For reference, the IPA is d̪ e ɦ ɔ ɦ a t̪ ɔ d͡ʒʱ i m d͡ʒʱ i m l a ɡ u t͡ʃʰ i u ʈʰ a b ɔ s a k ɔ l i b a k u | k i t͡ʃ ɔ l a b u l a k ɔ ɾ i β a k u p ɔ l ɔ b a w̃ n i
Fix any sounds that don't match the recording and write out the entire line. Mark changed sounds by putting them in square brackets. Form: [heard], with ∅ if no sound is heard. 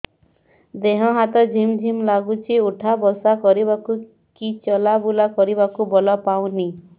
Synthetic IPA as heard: d̪ e ɦ ɔ ɦ a t̪ ɔ d͡ʒʱ i m d͡ʒʱ i m l a ɡ u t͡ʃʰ i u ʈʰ a b ɔ s a k ɔ [ɾ] i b a k u | k i t͡ʃ ɔ l a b u l a k ɔ ɾ i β a k u [b] ɔ l ɔ [p] a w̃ n i